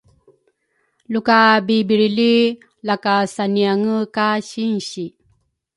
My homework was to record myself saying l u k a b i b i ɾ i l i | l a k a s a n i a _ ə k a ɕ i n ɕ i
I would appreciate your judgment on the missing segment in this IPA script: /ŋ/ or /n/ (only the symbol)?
ŋ